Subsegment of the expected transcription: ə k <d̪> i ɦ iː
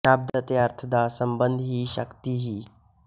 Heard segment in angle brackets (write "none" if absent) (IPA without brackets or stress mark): t̪